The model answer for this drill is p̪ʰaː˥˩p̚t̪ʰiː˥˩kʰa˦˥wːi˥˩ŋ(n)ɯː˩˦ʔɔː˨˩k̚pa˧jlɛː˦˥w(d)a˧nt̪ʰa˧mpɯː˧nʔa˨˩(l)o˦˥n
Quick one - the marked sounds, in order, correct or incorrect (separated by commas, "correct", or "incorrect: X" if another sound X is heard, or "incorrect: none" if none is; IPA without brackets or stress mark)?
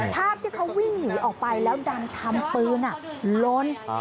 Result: correct, correct, correct